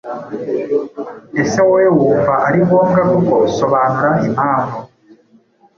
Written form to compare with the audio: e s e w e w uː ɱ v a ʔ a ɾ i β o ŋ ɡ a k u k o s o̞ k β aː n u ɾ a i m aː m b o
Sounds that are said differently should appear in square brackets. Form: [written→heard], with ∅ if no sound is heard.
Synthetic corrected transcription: e s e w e w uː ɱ v a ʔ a ɾ i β o ŋ ɡ a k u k o s o̞ [k→∅] β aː n u ɾ a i m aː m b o